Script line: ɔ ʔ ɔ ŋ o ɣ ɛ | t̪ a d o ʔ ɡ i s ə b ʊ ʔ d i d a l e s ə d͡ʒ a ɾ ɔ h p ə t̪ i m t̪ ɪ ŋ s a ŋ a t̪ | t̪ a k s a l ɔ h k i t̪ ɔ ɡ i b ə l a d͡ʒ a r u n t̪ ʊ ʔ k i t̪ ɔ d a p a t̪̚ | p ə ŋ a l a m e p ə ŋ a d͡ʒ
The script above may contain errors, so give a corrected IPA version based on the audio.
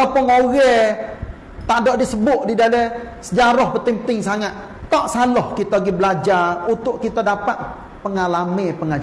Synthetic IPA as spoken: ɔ p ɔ ŋ o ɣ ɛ | t̪ a d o ʔ d i s ə b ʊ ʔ d i d a l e s ə d͡ʒ a ɾ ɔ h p ə t̪ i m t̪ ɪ ŋ s a ŋ a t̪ | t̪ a ʔ s a l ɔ h k i t̪ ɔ ɡ i b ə l a d͡ʒ a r u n t̪ ʊ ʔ k i t̪ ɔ d a p a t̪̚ | p ə ŋ a l a m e p ə ŋ a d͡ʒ